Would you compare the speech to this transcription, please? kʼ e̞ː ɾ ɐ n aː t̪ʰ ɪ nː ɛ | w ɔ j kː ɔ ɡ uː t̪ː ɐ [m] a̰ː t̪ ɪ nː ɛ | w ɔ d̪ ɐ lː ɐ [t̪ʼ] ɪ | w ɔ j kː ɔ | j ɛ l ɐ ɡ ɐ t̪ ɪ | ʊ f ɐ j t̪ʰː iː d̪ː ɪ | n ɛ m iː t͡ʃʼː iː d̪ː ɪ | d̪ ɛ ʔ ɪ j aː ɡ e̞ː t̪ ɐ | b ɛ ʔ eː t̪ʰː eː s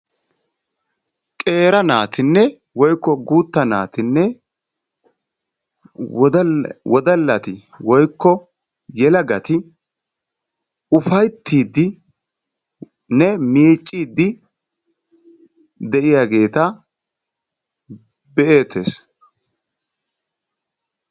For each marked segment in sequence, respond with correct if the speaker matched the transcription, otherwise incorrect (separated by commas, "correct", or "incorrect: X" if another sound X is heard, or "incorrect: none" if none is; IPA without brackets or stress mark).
incorrect: n, incorrect: t̪